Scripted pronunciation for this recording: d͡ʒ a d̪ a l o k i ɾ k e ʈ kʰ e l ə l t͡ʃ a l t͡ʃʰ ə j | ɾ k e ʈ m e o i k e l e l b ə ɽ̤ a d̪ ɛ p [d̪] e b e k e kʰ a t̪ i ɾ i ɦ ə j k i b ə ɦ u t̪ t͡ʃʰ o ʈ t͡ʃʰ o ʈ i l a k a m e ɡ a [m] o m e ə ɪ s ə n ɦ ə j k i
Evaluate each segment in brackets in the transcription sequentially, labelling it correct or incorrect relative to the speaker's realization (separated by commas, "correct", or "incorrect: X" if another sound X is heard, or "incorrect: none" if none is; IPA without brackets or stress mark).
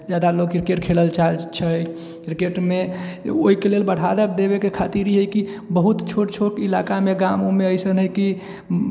correct, correct